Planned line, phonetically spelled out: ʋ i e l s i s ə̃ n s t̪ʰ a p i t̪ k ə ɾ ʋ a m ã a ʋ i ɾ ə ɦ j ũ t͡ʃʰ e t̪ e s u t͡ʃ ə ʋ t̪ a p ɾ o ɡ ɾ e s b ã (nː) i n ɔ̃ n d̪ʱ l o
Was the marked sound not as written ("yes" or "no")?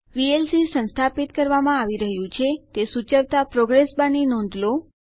yes